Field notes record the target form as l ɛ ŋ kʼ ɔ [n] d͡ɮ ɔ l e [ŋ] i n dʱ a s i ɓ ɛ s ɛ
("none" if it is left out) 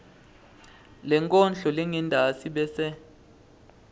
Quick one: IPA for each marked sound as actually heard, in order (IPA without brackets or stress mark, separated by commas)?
n, ŋ